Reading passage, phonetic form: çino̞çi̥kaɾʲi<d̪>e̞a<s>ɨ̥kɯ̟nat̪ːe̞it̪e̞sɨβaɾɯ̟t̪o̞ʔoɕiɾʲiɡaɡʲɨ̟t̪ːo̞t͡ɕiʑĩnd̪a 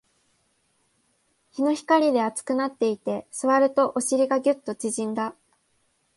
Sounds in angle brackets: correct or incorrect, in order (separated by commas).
correct, incorrect